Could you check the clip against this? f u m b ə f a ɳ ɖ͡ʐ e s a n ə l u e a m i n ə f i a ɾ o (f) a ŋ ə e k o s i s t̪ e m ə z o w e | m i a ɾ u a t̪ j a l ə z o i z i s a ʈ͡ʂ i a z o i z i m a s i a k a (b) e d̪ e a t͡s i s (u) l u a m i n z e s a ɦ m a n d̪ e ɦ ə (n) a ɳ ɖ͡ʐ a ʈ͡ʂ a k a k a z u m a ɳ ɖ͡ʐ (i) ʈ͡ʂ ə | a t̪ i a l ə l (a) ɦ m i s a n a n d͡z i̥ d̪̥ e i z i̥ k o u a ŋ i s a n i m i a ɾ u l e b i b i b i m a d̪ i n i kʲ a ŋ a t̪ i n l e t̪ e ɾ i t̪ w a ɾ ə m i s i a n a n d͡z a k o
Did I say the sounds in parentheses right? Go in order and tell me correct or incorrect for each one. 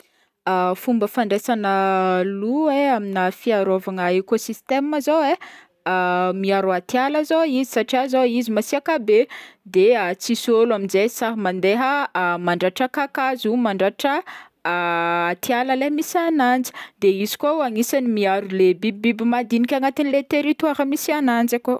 incorrect: v, correct, incorrect: o, incorrect: m, incorrect: a, incorrect: e

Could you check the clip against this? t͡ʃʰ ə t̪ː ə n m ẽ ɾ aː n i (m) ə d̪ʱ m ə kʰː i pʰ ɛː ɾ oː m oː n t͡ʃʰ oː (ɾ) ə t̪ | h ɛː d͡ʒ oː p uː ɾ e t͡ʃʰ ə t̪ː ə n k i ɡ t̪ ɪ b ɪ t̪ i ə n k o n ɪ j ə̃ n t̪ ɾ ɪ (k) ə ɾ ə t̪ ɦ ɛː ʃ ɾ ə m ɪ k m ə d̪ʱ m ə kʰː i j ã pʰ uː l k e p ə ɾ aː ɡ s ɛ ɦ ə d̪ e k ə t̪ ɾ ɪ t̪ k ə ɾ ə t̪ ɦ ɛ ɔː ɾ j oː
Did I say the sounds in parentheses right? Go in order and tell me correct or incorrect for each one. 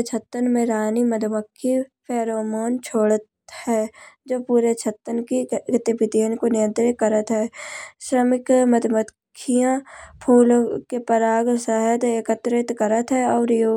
correct, incorrect: ɽ, correct

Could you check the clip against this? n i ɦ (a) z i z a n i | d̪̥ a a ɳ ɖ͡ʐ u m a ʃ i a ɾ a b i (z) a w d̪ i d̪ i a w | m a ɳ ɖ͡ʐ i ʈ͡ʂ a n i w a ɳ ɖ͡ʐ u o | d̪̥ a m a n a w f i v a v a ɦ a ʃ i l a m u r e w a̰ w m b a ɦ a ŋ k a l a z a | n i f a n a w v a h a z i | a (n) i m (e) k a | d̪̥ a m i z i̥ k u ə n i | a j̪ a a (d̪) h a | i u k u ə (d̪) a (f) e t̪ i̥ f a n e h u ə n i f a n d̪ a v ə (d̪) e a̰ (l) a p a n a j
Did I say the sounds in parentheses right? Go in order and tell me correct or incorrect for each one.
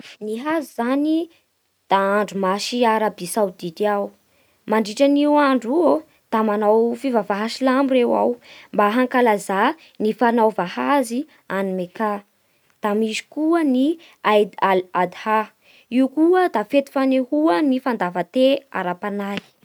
correct, incorrect: s, correct, correct, correct, correct, correct, incorrect: t̪, incorrect: ɾ

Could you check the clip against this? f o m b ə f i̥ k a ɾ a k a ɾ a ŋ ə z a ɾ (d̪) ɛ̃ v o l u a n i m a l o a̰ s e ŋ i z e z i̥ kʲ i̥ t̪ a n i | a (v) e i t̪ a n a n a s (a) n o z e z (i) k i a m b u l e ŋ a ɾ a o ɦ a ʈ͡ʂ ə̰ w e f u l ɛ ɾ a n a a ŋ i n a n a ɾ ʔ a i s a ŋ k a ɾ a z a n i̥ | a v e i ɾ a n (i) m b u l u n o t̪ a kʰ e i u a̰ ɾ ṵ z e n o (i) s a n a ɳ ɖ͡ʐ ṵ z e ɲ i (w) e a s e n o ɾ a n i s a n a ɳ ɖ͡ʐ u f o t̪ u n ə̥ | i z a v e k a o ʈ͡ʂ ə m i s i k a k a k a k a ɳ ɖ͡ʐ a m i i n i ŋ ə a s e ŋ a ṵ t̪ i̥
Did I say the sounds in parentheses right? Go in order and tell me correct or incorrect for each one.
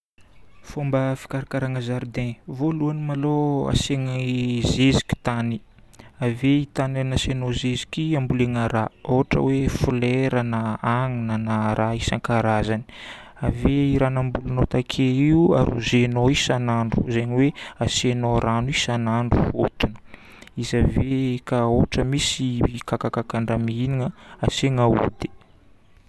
correct, correct, incorrect: e, correct, incorrect: a, correct, correct

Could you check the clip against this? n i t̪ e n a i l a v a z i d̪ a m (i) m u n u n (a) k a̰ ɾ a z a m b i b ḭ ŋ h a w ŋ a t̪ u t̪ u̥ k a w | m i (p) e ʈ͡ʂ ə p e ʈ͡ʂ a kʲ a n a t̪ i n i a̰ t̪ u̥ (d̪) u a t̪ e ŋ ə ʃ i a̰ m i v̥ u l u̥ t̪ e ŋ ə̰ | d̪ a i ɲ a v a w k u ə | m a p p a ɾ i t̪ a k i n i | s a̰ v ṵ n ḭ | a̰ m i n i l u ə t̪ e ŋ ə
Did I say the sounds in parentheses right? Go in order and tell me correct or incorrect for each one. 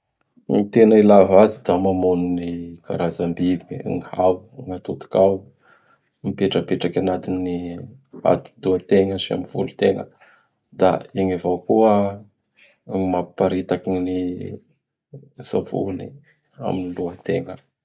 incorrect: a, incorrect: i, correct, correct

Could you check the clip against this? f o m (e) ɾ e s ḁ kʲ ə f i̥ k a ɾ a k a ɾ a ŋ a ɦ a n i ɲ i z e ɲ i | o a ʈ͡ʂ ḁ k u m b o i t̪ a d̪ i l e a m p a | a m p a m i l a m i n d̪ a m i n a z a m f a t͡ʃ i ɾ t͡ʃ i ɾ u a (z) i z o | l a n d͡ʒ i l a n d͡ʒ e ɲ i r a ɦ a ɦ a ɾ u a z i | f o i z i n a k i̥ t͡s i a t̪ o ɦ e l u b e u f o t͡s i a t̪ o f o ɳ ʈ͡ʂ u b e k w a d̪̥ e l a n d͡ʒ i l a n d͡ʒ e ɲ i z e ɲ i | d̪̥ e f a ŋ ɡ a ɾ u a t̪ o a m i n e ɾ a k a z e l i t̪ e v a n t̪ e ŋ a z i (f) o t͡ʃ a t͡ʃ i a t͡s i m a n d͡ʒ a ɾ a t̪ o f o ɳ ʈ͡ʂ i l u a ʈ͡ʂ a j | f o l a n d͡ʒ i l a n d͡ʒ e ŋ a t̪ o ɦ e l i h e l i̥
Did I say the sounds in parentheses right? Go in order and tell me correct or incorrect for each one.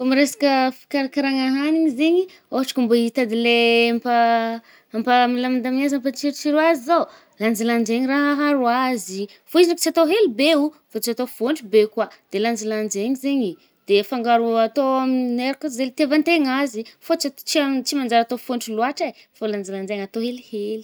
incorrect: i, correct, correct

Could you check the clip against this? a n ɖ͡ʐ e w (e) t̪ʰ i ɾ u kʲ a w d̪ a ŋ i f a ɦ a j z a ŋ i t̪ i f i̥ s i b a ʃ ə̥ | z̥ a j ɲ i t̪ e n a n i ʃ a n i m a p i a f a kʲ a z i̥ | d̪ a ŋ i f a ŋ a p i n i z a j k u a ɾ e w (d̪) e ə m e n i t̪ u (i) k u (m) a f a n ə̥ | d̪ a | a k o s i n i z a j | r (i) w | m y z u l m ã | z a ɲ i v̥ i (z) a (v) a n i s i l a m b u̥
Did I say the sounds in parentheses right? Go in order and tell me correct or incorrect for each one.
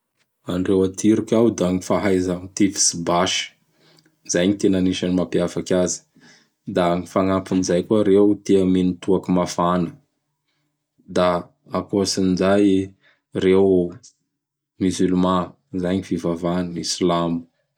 incorrect: a, incorrect: t̪, incorrect: a, correct, incorrect: e, incorrect: v, correct

